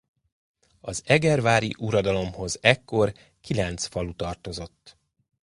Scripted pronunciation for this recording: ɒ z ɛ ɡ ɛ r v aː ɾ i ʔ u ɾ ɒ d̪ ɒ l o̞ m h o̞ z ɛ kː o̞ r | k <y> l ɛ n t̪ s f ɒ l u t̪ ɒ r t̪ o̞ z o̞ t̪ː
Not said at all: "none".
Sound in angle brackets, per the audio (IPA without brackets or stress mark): i